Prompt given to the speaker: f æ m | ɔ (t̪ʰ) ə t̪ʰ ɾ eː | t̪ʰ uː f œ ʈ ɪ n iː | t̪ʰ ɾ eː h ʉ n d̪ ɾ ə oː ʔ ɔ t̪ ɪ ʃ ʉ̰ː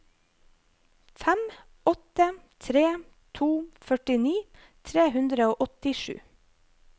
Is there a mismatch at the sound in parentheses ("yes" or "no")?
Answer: yes